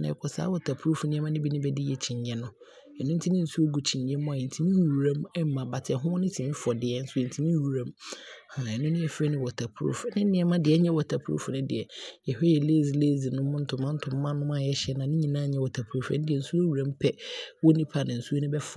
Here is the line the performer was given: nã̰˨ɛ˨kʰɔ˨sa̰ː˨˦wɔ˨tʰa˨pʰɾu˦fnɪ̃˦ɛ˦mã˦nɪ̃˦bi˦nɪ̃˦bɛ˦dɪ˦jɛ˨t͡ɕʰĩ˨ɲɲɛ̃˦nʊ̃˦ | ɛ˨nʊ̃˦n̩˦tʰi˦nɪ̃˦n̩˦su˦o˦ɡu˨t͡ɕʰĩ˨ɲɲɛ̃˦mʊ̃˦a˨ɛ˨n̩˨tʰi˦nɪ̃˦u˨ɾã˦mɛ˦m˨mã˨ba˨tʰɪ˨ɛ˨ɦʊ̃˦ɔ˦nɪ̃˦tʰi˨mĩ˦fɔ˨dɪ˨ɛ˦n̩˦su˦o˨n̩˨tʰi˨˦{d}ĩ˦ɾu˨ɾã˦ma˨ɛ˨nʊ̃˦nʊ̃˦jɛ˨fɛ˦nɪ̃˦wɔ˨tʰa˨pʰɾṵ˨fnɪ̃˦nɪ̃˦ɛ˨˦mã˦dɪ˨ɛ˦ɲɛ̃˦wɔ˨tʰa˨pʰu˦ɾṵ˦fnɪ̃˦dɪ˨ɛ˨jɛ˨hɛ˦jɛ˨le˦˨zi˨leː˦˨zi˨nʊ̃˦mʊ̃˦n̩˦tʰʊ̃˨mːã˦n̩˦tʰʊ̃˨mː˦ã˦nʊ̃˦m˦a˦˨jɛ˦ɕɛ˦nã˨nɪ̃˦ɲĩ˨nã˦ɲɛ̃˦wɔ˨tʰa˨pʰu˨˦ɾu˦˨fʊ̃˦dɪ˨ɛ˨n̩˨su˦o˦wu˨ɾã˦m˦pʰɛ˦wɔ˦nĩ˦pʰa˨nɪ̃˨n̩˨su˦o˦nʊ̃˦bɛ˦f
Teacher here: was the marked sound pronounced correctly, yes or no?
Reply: no